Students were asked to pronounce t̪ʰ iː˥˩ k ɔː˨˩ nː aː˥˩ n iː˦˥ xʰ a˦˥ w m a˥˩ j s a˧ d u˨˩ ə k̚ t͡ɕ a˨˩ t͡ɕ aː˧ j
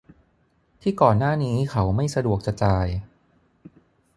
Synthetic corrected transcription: t̪ʰ iː˥˩ k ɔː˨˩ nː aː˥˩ n iː˦˥ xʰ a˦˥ w m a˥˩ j s a˧ d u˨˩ ə k̚ t͡ɕ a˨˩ t͡ɕ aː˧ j